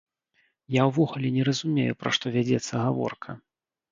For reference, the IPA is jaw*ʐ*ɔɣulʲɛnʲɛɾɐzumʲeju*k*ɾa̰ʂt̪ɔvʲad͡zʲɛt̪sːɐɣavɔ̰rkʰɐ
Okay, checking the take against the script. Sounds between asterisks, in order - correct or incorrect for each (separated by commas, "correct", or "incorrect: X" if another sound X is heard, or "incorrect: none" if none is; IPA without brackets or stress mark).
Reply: incorrect: v, incorrect: p